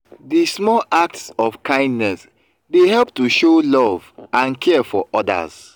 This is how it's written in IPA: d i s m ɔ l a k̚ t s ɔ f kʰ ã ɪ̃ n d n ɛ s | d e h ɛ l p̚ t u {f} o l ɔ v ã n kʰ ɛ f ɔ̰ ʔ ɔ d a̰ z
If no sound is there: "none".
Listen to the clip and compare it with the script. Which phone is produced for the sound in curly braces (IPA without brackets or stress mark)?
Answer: ʃ